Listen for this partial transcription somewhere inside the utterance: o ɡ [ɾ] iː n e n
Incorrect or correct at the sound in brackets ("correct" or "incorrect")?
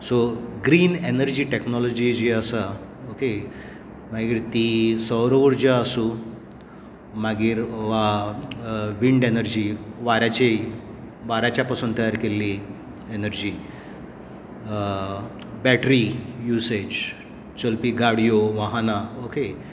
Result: correct